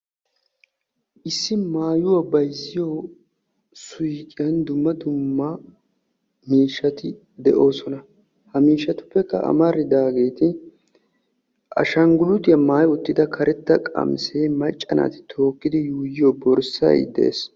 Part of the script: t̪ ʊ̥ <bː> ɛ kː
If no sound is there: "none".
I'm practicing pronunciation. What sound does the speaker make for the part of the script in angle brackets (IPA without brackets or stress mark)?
pː